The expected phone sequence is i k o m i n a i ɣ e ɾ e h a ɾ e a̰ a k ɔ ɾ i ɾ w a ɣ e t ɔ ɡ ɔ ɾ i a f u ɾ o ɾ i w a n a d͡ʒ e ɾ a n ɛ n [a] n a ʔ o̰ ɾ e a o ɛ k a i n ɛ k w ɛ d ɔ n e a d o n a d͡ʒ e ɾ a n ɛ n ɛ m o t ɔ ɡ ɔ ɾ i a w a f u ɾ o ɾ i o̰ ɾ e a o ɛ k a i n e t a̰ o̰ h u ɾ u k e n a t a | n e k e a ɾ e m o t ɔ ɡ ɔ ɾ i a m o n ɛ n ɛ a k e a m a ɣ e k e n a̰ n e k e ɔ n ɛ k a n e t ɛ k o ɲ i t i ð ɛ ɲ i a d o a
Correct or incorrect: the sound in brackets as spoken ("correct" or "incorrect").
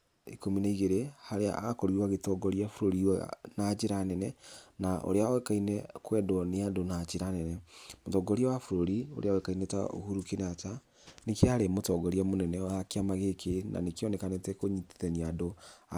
incorrect